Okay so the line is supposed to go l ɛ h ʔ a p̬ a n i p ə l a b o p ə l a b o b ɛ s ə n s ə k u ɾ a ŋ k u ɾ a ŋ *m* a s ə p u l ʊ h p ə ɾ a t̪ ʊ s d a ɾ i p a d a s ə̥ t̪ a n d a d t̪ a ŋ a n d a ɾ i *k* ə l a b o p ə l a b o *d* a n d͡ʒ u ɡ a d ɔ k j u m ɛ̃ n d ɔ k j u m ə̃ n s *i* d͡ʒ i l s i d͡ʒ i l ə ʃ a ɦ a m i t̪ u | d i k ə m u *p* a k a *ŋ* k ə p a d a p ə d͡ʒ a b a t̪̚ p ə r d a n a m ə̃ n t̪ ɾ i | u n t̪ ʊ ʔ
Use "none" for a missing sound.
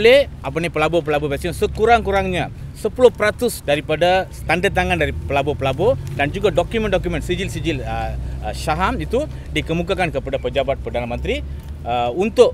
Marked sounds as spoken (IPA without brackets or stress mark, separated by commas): ɲ, p, d, i, k, n